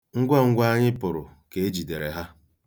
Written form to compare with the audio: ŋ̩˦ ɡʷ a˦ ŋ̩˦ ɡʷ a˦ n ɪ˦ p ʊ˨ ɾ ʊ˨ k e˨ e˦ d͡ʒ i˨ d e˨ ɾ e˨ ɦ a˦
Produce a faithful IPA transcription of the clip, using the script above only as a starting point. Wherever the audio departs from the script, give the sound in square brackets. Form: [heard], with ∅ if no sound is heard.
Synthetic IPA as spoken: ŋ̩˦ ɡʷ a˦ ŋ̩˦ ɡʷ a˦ [ɲ] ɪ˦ p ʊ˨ ɾ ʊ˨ k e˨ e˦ d͡ʒ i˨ d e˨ ɾ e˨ ɦ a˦

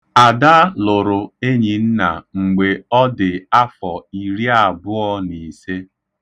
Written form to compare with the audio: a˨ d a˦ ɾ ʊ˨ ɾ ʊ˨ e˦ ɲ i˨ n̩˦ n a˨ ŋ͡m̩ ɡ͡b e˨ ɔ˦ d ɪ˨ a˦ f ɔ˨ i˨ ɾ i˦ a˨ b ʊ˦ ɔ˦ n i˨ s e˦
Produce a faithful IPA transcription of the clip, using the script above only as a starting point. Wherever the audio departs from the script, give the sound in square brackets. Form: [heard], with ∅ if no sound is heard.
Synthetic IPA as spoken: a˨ d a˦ [l] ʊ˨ ɾ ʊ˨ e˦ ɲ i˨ n̩˦ n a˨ ŋ͡m̩ ɡ͡b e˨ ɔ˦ d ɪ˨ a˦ f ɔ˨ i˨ ɾ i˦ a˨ b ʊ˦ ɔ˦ n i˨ s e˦

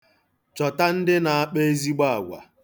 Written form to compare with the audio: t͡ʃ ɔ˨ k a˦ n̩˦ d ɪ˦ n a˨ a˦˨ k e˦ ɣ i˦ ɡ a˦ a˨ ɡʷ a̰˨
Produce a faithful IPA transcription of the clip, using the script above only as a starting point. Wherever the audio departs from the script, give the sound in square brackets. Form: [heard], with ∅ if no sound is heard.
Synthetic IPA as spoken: t͡ʃ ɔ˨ [t] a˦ n̩˦ d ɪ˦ n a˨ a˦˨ [k͡p] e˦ [z] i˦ [ɡ͡b] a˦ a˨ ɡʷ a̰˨

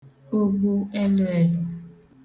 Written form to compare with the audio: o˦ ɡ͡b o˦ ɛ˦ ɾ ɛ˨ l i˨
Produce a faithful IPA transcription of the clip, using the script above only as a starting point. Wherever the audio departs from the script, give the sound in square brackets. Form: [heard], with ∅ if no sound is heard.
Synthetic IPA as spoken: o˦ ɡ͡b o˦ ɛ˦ [l] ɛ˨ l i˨

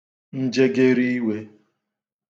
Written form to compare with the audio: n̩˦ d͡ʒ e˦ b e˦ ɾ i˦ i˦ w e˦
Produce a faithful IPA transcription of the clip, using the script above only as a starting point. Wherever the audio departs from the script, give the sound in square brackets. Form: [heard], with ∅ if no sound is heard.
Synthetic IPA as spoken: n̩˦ d͡ʒ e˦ [ɡ] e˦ ɾ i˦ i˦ w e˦

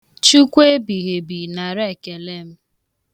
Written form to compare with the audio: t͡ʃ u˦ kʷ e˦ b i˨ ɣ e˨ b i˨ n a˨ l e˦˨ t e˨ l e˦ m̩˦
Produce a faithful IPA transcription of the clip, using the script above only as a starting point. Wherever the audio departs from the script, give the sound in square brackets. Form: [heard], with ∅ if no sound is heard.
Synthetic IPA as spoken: t͡ʃ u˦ kʷ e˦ b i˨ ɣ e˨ b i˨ n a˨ [ɾ] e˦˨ [k] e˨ l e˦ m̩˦

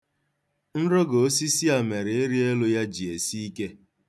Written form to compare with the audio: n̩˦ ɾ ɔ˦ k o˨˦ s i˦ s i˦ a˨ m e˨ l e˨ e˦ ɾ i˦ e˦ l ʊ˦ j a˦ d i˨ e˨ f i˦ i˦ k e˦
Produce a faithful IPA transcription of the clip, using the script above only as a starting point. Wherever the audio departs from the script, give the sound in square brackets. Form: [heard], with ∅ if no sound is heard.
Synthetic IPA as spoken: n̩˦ ɾ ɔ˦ [ɡ] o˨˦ s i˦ s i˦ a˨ m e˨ [ɾ] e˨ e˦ ɾ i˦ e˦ l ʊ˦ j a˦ [d͡ʒ] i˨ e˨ [s] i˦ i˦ k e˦

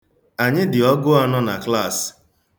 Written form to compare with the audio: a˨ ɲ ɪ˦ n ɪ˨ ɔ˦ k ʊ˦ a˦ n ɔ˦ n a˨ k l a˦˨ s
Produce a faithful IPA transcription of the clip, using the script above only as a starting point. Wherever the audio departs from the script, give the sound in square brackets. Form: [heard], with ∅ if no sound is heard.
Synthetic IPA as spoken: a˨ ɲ ɪ˦ [d] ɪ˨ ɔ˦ [ɡ] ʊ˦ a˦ n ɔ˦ n a˨ k l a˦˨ s

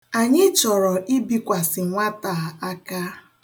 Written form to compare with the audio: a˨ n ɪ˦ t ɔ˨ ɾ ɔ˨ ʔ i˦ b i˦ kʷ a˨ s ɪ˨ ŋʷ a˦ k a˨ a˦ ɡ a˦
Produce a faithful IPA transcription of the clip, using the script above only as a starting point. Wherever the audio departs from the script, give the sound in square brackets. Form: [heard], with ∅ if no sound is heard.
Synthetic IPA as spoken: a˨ [ɲ] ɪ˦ [t͡ʃ] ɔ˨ ɾ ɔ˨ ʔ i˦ b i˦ kʷ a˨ s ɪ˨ ŋʷ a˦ [t] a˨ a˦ [k] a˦

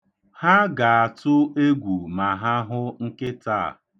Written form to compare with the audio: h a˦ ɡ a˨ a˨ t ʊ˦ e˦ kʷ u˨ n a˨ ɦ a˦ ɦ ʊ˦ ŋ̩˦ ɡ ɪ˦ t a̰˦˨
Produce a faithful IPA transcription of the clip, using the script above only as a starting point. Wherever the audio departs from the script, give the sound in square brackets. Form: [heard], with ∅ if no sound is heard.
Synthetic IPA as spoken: h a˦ ɡ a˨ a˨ t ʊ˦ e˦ [ɡʷ] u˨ [m] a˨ ɦ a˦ ɦ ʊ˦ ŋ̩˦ [k] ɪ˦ t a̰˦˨

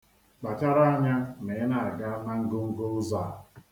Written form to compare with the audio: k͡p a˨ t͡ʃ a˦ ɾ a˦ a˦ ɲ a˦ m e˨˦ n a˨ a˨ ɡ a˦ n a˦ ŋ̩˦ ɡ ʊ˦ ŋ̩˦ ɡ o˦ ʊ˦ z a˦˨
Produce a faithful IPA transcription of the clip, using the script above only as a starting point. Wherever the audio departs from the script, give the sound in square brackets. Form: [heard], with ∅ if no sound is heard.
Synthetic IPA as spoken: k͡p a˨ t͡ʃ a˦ ɾ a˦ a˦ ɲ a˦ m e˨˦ n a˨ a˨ ɡ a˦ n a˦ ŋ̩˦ ɡ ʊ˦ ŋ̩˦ ɡ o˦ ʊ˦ z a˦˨

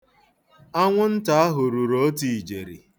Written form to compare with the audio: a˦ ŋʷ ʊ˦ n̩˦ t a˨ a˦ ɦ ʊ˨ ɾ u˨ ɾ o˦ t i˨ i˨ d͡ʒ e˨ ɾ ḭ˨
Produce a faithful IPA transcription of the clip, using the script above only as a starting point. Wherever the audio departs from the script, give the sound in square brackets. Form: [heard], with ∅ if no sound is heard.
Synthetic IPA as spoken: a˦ ŋʷ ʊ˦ n̩˦ t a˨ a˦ ɦ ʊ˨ ɾ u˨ ɾ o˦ t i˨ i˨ d͡ʒ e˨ ɾ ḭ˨

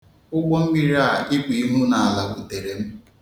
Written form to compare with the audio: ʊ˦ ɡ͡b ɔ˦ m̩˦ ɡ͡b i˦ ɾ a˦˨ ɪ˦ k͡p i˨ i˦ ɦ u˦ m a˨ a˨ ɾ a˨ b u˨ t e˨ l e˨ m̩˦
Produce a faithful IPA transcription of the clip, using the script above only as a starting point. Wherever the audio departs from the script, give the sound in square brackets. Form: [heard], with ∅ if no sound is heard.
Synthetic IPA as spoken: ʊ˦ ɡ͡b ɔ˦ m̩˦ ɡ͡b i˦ ɾ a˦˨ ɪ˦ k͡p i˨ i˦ ɦ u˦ [n] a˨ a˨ [l] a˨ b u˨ t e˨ [ɾ] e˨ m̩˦

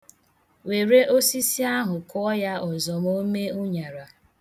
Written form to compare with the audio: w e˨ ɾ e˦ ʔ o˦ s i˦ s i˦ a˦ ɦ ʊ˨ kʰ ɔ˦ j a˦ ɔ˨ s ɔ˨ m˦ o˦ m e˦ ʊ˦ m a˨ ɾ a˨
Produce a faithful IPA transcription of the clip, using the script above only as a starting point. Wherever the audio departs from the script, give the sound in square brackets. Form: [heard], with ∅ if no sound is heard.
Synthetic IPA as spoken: w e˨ ɾ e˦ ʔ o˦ s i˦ s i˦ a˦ ɦ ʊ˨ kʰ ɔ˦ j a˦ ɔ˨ [z] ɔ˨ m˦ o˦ m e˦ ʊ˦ [ɲ] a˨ ɾ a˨

